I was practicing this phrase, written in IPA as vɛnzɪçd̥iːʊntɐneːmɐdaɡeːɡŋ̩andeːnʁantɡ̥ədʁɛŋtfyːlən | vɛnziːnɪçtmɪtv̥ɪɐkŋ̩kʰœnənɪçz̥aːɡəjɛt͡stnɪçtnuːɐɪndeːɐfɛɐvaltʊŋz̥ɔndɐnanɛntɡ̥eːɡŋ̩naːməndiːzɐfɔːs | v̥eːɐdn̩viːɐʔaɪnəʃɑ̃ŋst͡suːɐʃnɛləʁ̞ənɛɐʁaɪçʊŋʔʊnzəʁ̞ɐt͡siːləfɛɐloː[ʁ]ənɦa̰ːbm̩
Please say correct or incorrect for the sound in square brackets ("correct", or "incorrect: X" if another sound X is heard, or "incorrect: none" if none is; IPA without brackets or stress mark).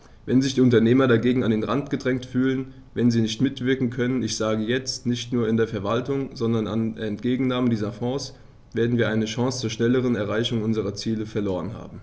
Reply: correct